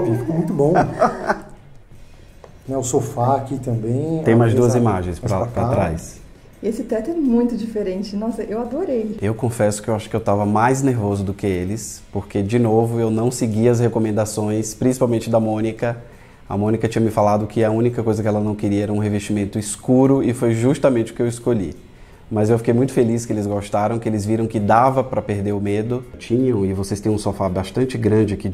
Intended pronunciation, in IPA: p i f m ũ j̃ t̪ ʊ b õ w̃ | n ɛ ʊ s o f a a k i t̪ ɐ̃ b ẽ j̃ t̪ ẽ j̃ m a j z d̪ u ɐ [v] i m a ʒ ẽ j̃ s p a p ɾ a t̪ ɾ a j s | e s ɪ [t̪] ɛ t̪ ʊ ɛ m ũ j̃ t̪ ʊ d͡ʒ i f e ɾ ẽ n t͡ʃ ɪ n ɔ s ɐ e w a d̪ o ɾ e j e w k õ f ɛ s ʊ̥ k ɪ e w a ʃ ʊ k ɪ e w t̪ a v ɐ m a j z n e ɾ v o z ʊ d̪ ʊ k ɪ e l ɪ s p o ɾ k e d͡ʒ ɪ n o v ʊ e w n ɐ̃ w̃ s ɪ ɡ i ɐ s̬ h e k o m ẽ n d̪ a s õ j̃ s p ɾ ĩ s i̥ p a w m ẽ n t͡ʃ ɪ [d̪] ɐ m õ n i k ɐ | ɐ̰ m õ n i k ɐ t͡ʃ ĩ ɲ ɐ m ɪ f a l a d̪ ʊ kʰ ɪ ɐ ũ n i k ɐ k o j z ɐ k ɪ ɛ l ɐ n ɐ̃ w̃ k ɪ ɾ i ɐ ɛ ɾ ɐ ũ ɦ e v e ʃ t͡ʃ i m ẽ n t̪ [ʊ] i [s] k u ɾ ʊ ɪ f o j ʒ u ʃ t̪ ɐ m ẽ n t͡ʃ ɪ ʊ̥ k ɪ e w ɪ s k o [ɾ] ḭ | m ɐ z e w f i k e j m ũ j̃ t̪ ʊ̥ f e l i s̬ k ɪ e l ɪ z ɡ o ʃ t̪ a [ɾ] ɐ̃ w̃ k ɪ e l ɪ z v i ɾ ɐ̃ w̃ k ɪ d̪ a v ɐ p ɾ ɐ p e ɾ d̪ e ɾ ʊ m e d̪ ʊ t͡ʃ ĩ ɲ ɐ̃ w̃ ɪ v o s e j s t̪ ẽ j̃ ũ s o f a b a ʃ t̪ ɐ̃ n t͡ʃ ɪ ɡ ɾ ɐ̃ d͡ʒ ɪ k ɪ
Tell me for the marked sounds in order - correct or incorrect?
incorrect, correct, correct, correct, correct, incorrect, correct

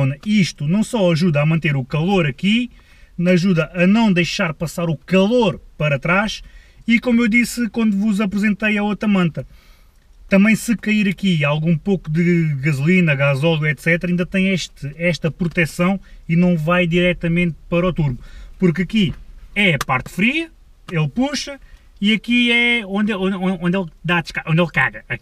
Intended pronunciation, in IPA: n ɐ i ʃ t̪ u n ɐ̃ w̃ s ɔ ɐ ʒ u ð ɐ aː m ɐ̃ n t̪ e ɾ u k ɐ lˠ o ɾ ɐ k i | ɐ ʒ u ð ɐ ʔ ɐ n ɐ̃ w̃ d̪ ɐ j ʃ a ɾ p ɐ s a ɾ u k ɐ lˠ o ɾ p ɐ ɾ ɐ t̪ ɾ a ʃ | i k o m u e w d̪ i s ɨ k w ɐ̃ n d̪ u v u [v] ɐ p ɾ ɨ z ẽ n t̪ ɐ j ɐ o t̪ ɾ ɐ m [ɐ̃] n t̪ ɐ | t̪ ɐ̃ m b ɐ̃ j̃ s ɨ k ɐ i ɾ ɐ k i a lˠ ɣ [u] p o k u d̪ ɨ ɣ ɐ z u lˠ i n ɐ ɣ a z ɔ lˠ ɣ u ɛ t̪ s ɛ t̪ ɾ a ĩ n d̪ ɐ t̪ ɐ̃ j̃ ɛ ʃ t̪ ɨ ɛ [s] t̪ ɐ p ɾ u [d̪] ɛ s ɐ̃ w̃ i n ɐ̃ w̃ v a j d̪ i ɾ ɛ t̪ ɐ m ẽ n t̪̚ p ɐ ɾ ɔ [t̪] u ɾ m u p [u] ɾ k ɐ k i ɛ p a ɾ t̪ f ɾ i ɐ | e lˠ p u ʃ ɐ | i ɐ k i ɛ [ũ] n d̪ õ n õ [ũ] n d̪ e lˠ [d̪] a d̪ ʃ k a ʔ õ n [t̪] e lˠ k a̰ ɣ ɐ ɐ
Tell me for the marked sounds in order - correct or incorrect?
incorrect, correct, incorrect, incorrect, incorrect, correct, correct, incorrect, incorrect, correct, incorrect

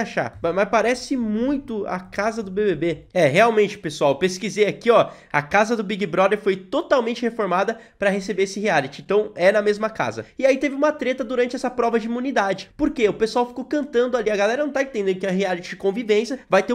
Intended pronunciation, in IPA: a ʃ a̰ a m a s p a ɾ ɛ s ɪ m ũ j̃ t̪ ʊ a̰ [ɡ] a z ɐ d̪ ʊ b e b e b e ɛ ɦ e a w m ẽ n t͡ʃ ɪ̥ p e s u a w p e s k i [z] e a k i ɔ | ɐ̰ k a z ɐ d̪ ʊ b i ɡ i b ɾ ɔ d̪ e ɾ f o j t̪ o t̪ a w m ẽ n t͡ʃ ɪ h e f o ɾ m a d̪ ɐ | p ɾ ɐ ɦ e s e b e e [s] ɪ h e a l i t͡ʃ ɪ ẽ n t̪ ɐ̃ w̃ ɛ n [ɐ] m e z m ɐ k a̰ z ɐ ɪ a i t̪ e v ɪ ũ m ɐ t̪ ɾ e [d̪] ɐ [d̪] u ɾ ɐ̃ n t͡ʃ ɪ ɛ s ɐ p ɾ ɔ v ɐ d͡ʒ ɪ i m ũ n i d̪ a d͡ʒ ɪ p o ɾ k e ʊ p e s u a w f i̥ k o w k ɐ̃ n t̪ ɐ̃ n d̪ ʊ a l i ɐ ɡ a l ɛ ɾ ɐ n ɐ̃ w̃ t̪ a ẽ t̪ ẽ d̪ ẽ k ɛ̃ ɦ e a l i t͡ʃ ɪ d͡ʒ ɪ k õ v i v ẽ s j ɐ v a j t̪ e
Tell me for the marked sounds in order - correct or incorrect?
incorrect, correct, correct, correct, incorrect, correct

